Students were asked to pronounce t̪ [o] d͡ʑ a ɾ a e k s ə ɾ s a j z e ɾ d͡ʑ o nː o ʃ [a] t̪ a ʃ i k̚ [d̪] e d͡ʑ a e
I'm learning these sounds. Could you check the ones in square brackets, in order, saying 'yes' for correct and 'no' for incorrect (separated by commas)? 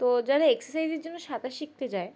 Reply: yes, yes, no